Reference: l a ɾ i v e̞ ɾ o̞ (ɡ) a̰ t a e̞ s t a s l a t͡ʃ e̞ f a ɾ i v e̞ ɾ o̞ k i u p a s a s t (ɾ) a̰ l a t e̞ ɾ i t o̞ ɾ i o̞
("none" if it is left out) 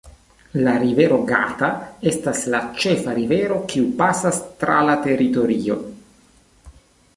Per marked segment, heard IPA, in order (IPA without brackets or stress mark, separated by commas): ɡ, ɾ